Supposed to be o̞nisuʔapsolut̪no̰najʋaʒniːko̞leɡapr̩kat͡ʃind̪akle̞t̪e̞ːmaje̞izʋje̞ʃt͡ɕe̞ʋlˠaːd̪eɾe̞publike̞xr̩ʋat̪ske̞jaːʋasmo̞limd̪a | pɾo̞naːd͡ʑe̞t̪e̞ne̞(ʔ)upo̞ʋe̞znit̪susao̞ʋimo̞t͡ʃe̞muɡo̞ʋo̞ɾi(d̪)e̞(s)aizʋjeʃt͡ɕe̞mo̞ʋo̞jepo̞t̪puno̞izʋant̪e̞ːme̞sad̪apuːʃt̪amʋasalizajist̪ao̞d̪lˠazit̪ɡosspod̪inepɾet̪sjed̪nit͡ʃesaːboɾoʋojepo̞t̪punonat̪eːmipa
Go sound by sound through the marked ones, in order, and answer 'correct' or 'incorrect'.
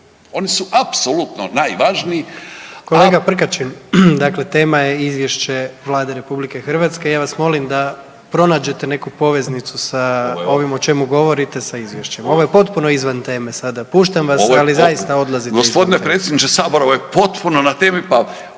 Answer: incorrect: k, incorrect: t̪, correct

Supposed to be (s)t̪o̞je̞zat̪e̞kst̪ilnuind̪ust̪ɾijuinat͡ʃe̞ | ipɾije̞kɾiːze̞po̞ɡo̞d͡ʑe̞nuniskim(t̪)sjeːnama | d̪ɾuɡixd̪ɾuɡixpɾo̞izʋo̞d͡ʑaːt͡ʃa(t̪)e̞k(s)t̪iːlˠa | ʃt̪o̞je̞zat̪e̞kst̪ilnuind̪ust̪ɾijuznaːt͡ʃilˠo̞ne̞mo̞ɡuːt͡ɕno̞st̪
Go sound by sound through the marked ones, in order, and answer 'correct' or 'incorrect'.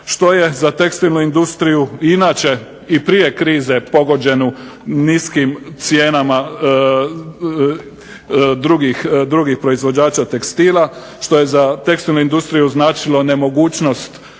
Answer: incorrect: ʃ, correct, correct, correct

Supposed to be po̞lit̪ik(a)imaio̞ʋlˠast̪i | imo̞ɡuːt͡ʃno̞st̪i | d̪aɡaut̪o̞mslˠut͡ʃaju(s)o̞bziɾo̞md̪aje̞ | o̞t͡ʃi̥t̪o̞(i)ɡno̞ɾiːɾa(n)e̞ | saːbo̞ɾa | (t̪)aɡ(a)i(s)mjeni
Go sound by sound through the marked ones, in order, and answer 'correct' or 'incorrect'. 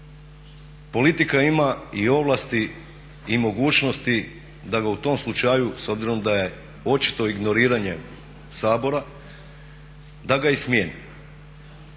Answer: correct, correct, correct, incorrect: ɲ, incorrect: d̪, correct, correct

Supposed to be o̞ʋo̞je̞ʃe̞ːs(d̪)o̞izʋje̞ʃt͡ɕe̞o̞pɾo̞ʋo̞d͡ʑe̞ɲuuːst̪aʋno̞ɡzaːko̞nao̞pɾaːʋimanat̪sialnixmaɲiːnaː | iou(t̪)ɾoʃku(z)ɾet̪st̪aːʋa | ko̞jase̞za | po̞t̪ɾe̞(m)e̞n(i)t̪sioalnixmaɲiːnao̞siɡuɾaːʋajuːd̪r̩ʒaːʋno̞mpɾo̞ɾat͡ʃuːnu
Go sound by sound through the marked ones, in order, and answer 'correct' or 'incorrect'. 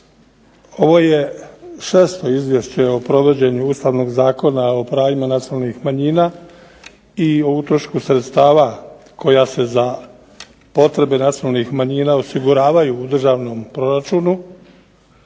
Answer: incorrect: t̪, correct, incorrect: s, incorrect: b, incorrect: a

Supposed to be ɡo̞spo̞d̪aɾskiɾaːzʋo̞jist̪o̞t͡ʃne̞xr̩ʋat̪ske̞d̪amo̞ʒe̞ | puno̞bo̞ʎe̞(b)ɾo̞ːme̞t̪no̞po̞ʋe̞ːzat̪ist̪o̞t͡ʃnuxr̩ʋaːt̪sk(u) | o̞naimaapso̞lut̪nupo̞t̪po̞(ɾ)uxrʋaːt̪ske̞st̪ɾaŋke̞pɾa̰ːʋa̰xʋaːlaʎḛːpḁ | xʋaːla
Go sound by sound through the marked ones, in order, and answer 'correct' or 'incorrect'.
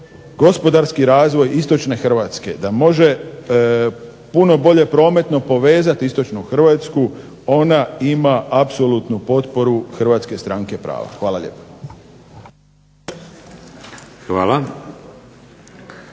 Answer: incorrect: p, correct, correct

